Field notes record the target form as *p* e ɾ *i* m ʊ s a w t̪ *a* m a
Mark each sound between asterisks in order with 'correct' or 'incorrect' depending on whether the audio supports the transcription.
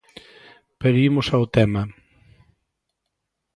correct, correct, incorrect: ɛ

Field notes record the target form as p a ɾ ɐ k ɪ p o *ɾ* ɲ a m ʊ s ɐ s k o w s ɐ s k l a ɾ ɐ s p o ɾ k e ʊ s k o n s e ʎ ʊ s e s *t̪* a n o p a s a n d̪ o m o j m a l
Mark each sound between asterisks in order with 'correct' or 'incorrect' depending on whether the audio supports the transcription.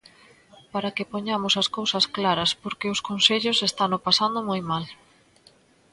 incorrect: none, correct

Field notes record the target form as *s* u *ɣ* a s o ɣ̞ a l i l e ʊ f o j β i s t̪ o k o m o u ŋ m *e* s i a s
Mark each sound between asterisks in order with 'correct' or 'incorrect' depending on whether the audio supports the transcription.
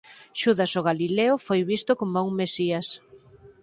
incorrect: ʃ, incorrect: ð, correct

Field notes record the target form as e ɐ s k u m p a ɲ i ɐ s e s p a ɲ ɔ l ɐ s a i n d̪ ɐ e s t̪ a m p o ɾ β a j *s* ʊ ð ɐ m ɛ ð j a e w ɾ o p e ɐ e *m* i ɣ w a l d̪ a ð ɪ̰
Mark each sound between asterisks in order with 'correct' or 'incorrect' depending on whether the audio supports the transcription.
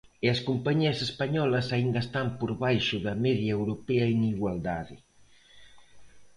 incorrect: ʃ, incorrect: ŋ

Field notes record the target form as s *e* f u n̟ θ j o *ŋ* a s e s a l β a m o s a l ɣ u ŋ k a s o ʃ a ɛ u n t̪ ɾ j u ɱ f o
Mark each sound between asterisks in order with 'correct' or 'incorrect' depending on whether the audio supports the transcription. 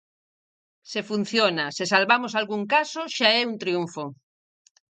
correct, incorrect: n

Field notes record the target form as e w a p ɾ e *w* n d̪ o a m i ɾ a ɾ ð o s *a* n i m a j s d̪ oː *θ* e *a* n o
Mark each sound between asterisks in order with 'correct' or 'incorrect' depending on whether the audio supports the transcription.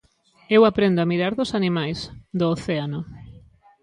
incorrect: none, correct, correct, correct

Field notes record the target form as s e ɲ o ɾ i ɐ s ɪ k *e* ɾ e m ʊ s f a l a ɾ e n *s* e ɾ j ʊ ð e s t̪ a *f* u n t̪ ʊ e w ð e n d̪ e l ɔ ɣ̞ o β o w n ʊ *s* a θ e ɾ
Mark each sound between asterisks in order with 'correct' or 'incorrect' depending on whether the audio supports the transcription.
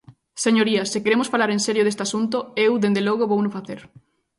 correct, correct, incorrect: s, incorrect: f

